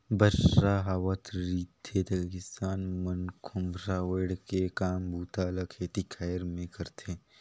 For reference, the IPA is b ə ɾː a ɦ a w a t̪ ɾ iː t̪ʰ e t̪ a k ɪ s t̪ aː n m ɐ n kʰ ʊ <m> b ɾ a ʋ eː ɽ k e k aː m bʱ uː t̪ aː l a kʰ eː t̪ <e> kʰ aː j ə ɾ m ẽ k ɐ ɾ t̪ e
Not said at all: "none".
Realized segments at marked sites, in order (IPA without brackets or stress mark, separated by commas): m, i